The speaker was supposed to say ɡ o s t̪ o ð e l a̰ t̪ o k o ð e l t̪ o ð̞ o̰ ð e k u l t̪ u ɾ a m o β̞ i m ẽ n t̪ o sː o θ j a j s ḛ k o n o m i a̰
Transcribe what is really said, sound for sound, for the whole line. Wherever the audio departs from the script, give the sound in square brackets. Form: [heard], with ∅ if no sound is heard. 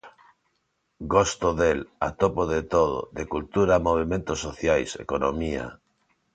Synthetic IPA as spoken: ɡ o s t̪ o ð e l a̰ t̪ o [p] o ð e [∅] t̪ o ð̞ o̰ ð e k u l t̪ u ɾ a m o β̞ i m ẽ n t̪ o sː o θ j a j s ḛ k o n o m i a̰